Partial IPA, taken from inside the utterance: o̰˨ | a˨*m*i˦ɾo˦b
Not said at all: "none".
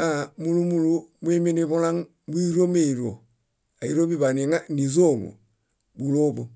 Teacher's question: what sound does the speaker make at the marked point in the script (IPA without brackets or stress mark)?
none